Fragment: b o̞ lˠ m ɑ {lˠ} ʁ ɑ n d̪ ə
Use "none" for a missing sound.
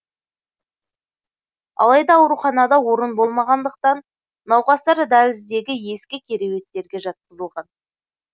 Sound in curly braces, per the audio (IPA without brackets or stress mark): none